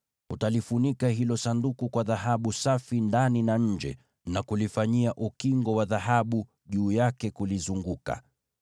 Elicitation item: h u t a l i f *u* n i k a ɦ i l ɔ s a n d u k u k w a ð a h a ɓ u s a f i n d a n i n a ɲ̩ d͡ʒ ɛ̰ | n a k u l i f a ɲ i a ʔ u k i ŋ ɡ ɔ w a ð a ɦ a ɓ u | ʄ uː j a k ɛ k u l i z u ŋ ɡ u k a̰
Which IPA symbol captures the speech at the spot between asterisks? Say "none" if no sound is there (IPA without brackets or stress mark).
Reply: u